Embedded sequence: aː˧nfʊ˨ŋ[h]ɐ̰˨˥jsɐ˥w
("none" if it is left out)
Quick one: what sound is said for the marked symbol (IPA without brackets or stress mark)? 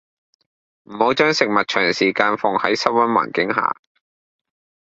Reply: h